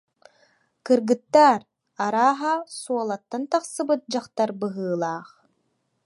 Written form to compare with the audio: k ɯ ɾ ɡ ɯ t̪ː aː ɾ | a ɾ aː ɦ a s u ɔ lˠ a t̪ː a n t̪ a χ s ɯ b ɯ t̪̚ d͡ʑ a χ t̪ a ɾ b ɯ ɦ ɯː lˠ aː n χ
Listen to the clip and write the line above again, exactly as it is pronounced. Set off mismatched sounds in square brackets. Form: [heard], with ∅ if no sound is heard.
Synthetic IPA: k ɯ ɾ ɡ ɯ t̪ː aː ɾ | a ɾ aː ɦ a s u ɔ lˠ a t̪ː a n t̪ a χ s ɯ b ɯ t̪̚ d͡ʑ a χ t̪ a ɾ b ɯ ɦ ɯː lˠ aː [∅] χ